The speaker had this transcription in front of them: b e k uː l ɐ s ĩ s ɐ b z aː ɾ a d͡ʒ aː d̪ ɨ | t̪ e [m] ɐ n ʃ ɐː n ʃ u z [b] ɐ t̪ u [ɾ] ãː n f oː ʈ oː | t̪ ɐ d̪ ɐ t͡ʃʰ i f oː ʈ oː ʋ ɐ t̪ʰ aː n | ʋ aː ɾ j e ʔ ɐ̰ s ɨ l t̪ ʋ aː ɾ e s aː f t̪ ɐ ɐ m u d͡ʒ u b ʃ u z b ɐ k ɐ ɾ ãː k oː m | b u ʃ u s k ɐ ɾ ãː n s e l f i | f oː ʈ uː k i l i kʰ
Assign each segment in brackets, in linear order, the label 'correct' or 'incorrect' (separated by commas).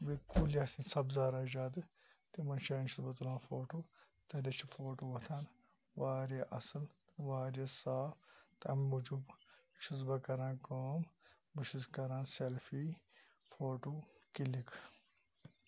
correct, correct, incorrect